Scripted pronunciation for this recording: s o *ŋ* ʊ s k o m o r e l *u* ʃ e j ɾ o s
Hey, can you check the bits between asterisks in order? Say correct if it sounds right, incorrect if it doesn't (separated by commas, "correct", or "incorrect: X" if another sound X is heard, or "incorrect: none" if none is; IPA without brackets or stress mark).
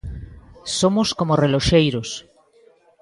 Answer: incorrect: m, incorrect: o